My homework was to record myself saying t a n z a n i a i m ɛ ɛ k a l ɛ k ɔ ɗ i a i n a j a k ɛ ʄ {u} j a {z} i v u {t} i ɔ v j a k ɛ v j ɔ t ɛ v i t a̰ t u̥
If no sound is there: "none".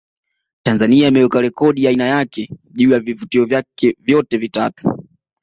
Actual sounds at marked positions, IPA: uː, v, t

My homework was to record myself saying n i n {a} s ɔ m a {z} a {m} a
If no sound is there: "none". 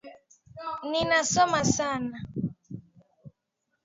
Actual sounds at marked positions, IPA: a, s, n

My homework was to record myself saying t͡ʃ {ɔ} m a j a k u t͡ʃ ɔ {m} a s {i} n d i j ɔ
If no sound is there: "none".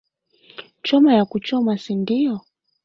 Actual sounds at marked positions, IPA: ɔ, m, i

